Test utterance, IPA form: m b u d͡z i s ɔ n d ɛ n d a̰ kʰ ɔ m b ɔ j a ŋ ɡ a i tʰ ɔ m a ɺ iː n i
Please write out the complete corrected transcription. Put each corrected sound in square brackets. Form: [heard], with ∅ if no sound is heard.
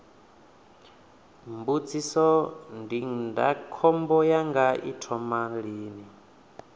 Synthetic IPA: m b u d͡z i s ɔ n d [i] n d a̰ kʰ ɔ m b ɔ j a ŋ ɡ a i tʰ ɔ m a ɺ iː n i